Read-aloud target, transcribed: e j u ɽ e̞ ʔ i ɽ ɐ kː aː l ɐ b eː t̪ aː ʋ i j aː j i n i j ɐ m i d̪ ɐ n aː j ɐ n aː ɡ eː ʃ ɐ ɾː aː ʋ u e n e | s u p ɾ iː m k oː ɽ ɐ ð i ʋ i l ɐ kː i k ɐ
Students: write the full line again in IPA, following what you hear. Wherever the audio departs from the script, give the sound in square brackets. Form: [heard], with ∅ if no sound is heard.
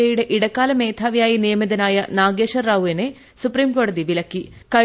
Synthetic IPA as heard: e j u ɽ e̞ ʔ i ɽ ɐ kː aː l ɐ [m] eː [t̪ʰ] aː ʋ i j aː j i n i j ɐ m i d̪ ɐ n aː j ɐ n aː ɡ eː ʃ ɐ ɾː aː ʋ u e n e | s u p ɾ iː m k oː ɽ ɐ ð i ʋ i l ɐ kː i k ɐ